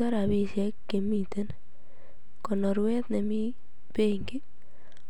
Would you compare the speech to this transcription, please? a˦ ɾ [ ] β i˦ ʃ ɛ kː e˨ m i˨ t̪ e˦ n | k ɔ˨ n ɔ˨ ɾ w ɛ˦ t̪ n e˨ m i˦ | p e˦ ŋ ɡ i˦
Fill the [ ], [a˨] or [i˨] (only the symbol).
a˨